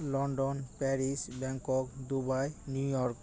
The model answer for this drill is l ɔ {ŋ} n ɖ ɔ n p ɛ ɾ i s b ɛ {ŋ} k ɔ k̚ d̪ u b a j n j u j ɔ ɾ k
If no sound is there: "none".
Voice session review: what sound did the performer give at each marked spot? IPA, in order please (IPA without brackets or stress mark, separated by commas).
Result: none, ŋ